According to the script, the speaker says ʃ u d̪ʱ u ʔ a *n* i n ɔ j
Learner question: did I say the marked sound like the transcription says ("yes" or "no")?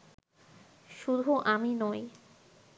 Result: no